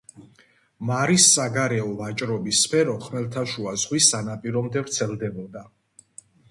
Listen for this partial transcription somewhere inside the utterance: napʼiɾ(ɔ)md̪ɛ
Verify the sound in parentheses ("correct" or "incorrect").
correct